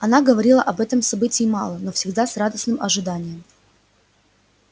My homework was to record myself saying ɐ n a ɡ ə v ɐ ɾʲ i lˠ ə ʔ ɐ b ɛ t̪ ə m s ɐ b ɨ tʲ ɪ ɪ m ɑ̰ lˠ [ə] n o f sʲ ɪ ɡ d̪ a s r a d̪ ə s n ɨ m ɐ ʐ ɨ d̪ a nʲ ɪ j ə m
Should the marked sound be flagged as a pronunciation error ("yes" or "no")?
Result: no